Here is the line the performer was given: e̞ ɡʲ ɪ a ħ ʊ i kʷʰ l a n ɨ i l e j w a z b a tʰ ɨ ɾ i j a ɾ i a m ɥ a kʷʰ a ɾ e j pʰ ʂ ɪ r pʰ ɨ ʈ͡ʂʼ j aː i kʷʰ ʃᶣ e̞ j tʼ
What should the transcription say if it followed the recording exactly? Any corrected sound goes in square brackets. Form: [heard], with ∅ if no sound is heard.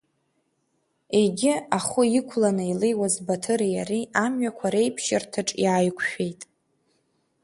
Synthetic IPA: e̞ ɡʲ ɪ a [χ] ʊ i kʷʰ l a n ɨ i l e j w a z b a tʰ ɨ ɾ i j a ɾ i a m ɥ a kʷʰ a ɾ e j pʰ [ʃ] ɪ r [tʰ] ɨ ʈ͡ʂʼ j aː [j] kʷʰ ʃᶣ e̞ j tʼ